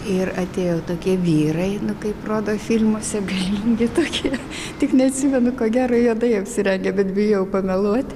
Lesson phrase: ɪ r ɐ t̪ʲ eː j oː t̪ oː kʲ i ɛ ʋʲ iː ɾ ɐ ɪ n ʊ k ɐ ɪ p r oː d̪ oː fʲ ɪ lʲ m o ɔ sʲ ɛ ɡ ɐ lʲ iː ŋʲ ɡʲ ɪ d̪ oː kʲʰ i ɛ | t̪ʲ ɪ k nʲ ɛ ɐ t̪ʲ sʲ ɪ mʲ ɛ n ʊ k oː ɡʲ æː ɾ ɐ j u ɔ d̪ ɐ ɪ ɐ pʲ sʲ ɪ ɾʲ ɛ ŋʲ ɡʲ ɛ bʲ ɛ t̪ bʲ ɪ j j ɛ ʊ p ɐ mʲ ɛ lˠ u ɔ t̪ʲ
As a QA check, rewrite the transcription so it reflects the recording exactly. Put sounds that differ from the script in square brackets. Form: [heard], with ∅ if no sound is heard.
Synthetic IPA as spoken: ɪ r ɐ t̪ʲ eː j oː t̪ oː kʲ i ɛ ʋʲ iː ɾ ɐ ɪ n ʊ k ɐ ɪ p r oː d̪ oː fʲ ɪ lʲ m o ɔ sʲ ɛ ɡ ɐ lʲ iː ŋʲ ɡʲ ɪ [t̪] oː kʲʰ i ɛ | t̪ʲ ɪ k nʲ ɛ ɐ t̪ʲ sʲ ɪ mʲ ɛ n ʊ k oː ɡʲ æː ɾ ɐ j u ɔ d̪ ɐ ɪ ɐ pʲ sʲ ɪ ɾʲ ɛ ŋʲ ɡʲ ɛ bʲ ɛ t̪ bʲ ɪ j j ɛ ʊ p ɐ mʲ ɛ lˠ u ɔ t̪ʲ